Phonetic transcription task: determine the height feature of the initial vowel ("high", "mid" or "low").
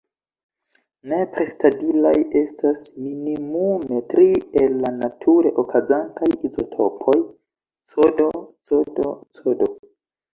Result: mid